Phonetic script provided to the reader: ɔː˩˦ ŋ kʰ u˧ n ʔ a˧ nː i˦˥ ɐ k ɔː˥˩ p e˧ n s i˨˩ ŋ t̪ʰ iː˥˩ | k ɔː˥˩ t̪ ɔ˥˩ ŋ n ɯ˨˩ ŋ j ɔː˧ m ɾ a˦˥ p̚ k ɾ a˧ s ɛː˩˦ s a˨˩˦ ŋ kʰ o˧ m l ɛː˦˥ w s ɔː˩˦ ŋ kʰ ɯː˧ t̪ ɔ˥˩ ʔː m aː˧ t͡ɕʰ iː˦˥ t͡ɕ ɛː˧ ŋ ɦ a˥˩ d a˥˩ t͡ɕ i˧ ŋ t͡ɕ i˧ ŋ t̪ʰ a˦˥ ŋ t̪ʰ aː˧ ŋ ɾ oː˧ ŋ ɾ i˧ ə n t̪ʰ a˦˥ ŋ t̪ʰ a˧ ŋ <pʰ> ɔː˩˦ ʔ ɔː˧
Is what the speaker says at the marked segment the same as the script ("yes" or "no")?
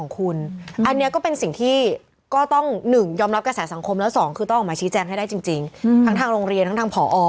yes